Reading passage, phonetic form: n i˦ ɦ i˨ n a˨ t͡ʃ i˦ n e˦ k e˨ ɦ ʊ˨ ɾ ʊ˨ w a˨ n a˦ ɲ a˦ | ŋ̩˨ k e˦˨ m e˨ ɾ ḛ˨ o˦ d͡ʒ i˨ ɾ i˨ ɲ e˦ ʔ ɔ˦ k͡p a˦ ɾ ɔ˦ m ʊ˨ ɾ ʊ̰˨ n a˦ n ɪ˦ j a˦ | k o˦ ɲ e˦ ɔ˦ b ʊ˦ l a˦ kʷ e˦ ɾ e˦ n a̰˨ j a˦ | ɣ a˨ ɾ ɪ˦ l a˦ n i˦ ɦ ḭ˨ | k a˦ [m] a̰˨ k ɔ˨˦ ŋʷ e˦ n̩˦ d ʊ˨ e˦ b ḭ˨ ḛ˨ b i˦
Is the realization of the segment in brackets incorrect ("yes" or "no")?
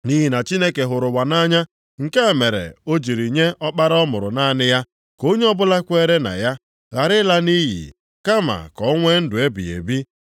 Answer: no